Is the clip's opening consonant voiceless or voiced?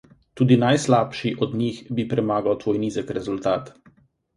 voiceless